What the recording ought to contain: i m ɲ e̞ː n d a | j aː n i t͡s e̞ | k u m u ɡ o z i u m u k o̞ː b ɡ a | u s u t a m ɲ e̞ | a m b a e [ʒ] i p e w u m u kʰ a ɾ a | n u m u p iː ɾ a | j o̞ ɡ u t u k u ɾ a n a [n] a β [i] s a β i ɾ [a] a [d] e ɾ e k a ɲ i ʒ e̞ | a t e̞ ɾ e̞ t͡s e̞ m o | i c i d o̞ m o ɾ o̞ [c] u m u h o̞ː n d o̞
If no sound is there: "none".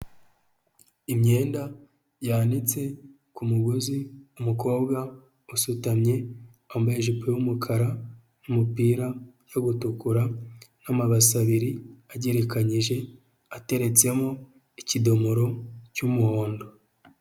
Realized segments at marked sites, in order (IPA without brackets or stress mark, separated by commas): ʒ, m, a, i, ɟ, c